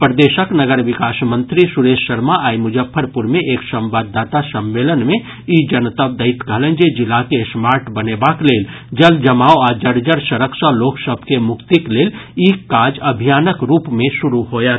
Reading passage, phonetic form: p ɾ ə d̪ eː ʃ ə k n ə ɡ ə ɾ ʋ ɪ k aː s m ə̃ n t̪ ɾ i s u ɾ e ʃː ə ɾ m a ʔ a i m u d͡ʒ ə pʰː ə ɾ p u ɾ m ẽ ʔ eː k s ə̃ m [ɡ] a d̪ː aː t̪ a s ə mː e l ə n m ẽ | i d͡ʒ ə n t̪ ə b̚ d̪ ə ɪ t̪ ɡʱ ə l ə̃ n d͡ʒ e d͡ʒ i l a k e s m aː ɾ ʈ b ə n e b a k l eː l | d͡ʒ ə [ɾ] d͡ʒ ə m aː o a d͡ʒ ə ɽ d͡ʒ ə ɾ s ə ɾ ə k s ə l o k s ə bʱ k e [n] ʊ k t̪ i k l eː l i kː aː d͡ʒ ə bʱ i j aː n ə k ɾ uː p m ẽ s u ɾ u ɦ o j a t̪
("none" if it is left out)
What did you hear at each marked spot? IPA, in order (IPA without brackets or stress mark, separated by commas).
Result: b, l, m